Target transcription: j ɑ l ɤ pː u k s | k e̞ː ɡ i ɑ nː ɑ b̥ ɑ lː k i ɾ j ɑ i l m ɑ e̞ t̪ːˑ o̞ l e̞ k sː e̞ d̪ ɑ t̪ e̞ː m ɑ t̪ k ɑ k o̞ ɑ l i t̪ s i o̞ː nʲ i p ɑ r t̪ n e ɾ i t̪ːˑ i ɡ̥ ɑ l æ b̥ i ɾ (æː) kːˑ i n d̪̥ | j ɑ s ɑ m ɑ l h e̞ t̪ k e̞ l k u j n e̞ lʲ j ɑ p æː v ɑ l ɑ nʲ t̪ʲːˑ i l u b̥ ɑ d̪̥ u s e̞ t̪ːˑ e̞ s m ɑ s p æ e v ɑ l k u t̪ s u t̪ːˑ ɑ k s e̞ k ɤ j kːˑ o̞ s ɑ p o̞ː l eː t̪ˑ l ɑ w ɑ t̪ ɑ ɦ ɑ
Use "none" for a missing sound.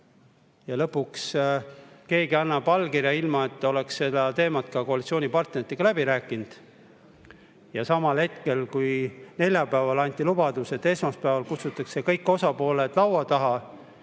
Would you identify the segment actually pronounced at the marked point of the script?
æː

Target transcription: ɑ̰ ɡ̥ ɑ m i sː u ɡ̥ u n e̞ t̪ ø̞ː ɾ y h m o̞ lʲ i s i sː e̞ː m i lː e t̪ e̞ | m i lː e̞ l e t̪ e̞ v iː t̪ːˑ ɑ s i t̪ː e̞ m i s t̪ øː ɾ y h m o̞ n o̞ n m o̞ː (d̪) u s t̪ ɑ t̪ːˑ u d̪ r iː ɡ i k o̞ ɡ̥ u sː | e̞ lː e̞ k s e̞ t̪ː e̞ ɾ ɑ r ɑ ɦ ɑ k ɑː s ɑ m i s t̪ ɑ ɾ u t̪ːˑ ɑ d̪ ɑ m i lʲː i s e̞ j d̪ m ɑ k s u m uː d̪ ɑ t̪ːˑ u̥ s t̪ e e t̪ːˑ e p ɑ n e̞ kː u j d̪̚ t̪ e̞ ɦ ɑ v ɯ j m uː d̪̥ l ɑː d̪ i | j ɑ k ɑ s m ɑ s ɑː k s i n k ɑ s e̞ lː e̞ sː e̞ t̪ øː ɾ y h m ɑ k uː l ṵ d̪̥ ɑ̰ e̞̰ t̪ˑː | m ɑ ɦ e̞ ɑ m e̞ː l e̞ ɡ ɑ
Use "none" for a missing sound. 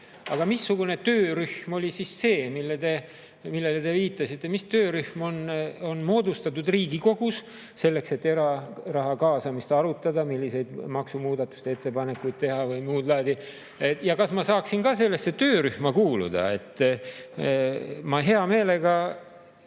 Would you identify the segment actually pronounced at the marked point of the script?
d̪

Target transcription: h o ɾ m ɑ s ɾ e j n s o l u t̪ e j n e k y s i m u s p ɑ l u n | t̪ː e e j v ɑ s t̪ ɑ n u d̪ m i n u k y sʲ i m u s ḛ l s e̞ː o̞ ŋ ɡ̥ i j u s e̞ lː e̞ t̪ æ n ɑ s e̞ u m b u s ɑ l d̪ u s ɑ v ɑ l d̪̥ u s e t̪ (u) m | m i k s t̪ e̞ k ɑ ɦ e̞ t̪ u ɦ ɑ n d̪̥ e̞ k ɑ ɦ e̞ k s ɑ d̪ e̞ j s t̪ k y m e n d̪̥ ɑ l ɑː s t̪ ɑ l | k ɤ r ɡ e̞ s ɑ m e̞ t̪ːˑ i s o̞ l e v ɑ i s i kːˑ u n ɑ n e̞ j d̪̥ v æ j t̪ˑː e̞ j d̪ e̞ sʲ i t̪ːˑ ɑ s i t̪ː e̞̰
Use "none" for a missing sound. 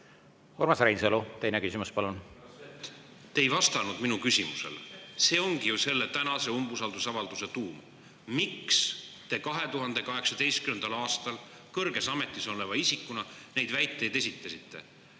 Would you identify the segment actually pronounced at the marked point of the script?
uː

